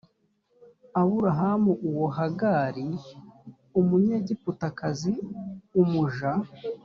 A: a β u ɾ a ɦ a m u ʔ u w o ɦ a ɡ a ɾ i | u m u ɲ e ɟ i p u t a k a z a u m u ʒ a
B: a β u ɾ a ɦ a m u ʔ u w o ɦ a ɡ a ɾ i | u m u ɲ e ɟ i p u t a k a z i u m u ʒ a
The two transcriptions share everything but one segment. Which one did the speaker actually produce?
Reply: B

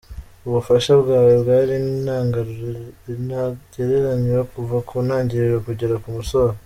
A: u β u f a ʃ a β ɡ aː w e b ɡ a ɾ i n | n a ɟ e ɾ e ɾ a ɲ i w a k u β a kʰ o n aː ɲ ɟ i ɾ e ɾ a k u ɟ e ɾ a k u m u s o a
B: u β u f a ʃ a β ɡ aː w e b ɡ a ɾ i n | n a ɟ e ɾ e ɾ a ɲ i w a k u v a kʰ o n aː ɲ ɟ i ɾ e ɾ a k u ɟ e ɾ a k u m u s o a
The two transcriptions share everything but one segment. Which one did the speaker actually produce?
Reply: B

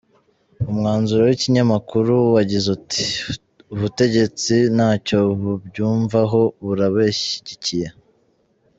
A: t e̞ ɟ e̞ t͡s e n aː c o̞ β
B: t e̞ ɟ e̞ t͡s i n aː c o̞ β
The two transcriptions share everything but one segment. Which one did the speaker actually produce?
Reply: B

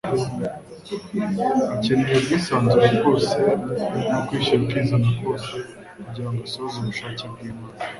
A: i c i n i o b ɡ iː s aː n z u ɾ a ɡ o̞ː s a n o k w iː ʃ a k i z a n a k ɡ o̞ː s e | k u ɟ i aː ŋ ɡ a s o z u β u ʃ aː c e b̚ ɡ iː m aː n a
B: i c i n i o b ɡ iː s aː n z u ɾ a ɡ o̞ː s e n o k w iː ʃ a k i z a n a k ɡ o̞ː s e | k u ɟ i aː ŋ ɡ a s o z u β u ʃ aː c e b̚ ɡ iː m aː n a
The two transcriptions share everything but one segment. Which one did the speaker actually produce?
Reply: B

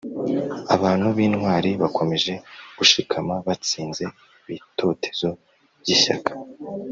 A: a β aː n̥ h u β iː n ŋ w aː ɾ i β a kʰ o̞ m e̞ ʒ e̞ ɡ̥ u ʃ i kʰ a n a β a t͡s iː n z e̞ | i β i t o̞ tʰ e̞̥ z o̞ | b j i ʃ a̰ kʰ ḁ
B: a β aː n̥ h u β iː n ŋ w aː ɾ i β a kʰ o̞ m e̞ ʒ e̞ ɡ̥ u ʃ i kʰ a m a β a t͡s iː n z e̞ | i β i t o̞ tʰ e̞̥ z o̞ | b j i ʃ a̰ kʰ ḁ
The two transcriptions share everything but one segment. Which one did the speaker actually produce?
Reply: B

